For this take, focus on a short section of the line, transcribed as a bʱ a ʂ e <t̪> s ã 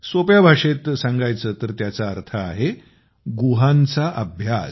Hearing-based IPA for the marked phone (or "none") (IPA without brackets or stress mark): t̪